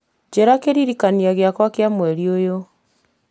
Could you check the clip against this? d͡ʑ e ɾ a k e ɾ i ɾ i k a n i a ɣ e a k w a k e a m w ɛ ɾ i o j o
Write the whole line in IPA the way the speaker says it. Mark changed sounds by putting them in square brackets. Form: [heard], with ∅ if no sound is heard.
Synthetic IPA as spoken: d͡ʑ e ɾ a k e ɾ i ɾ i k a n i a ɣ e a k w a k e a m w ɛ ɾ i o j o